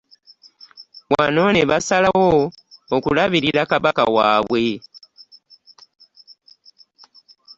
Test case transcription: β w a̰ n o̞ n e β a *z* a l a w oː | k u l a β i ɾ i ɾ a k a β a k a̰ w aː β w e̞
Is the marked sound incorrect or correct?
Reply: incorrect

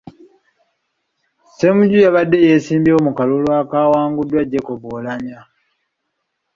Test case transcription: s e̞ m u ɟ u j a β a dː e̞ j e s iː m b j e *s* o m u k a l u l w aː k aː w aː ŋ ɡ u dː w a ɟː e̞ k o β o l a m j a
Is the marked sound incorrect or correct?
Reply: incorrect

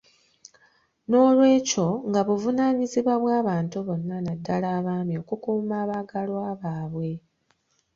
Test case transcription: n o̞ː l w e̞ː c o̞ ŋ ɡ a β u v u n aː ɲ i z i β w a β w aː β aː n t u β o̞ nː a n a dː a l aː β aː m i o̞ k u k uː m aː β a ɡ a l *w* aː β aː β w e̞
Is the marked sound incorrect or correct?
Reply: correct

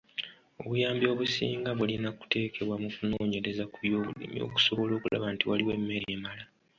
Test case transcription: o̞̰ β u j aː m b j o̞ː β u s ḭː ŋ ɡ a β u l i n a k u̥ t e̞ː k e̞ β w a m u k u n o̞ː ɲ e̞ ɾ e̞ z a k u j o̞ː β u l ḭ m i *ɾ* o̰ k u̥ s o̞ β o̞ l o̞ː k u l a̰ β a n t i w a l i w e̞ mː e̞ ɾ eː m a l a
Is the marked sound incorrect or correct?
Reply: incorrect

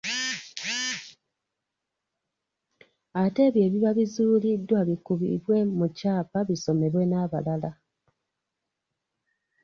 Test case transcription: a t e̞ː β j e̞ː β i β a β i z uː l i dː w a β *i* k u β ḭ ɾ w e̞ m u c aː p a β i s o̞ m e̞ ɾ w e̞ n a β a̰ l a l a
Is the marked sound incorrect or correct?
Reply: correct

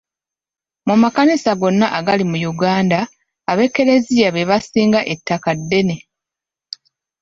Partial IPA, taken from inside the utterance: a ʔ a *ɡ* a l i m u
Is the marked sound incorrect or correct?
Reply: correct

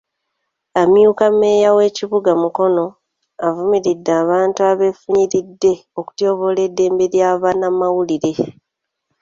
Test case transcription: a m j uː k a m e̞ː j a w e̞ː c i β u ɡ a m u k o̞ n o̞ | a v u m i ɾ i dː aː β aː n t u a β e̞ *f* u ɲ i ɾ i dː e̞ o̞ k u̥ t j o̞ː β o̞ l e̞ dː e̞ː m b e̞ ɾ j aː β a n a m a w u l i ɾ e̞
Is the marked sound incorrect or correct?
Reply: correct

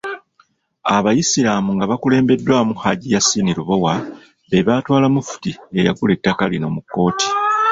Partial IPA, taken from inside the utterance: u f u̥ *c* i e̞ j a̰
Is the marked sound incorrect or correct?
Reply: incorrect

